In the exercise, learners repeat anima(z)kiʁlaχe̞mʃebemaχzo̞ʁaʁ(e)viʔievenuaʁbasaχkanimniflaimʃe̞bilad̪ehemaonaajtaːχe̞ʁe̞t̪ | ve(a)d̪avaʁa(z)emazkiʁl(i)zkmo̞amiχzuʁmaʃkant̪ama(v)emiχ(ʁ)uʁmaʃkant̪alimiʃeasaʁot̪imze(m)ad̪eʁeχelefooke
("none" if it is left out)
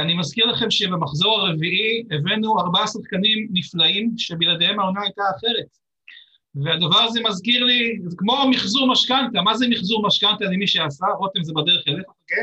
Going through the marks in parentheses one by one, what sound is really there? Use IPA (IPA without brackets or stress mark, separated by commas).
z, e, a, z, i, z, z, b